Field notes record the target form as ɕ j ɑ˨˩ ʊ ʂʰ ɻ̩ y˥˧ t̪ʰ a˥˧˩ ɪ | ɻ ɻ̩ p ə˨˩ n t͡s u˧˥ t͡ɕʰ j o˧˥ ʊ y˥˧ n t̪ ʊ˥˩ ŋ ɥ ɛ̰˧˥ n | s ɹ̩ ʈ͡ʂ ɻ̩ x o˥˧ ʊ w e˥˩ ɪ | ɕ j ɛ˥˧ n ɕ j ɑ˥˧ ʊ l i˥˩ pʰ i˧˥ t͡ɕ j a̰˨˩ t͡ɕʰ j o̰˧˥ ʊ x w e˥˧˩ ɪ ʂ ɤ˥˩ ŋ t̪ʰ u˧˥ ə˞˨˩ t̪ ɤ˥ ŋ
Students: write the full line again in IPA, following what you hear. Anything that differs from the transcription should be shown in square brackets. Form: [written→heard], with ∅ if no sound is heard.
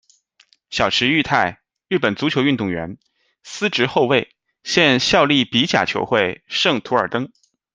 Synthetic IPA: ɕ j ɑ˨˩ ʊ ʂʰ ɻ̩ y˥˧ t̪ʰ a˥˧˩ ɪ | ɻ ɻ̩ p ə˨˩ n t͡s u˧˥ t͡ɕʰ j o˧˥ ʊ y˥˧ n t̪ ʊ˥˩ ŋ ɥ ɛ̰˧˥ n | s ɹ̩ ʈ͡ʂ ɻ̩ x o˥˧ ʊ w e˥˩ ɪ | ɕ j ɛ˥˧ n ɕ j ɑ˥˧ ʊ l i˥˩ [pʰ→p] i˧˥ t͡ɕ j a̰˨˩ t͡ɕʰ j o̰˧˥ ʊ x w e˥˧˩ ɪ ʂ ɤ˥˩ ŋ t̪ʰ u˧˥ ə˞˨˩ t̪ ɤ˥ ŋ